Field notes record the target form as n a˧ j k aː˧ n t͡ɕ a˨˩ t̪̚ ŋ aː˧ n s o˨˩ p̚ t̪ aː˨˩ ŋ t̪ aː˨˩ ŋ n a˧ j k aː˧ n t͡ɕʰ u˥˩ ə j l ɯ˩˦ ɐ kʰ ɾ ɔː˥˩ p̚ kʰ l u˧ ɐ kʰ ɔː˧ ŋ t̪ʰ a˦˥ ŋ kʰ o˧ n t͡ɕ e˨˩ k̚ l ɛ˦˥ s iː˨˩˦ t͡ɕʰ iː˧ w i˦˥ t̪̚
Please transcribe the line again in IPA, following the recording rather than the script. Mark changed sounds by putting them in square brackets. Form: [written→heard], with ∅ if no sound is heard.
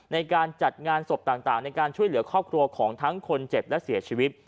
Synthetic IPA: n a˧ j k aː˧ n t͡ɕ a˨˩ t̪̚ ŋ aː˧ n s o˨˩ p̚ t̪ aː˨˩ ŋ t̪ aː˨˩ ŋ n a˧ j k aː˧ n t͡ɕʰ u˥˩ ə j l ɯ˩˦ ɐ kʰ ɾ ɔː˥˩ p̚ kʰ [l→ɾ] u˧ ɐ kʰ [ɔː˧→ɔː˩˦] ŋ t̪ʰ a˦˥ ŋ kʰ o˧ n t͡ɕ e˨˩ [k̚→p̚] l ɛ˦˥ s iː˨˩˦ t͡ɕʰ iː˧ w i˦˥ t̪̚